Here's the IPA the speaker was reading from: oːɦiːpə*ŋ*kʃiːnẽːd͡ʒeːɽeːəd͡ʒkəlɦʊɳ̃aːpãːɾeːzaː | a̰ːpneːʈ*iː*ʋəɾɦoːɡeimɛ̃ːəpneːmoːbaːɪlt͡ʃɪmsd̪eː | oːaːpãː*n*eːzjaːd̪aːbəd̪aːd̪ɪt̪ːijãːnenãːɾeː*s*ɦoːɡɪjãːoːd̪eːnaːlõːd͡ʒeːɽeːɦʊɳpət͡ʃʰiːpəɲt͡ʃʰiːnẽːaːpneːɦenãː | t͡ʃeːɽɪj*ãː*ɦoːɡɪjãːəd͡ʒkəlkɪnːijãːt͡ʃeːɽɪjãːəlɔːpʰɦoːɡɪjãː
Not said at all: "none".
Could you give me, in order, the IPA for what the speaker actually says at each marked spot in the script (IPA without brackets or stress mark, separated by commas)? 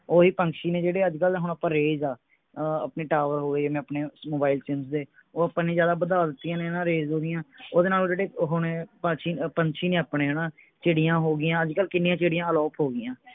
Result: ŋ, aː, n, z, ãː